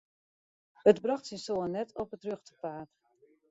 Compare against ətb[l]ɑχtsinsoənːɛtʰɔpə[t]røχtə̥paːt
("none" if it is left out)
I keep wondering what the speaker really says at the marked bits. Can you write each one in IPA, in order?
r, t

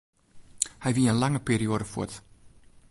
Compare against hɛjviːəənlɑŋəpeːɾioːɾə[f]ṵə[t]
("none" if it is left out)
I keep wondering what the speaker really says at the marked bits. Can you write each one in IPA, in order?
f, t

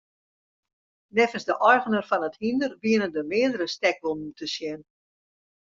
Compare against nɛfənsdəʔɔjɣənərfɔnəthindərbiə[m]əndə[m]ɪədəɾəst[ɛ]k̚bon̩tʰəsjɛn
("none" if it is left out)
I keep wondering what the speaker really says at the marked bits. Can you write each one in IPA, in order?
n, m, ɛ

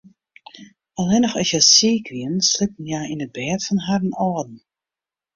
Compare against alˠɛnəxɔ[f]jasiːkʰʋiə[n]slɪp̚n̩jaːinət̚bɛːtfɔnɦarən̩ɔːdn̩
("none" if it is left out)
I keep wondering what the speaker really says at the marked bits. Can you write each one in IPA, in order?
s, n

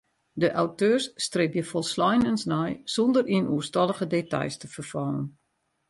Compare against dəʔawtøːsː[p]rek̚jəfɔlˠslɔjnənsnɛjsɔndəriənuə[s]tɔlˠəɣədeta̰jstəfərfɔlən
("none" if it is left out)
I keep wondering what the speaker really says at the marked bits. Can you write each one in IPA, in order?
t, s

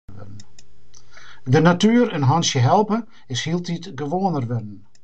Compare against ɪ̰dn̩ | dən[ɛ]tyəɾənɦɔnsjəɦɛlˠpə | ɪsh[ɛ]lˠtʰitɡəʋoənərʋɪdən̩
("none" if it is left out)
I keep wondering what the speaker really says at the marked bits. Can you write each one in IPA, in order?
a, i

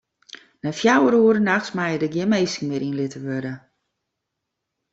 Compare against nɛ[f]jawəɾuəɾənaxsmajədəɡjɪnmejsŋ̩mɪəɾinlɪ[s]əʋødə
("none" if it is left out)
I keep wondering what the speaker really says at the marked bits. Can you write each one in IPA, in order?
f, t

